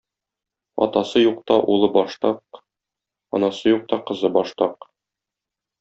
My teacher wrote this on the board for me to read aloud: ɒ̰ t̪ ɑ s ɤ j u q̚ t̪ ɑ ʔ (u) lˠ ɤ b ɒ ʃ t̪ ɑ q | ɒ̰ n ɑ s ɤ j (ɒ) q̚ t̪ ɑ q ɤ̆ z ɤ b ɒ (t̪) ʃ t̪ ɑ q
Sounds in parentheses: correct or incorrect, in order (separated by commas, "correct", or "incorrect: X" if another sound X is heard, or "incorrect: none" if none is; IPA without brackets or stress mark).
correct, incorrect: u, incorrect: none